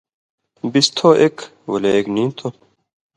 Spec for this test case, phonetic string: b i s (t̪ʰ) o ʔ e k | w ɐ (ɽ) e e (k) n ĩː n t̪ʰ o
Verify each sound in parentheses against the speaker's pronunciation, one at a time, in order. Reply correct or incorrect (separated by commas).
correct, incorrect, correct